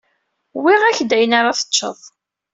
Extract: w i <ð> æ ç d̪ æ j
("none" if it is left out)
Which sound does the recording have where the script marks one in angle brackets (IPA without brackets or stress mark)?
ʁ